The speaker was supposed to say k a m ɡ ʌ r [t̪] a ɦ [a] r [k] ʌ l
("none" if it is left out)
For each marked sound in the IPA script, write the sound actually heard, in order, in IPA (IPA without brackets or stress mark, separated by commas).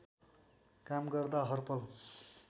d̪, ʌ, p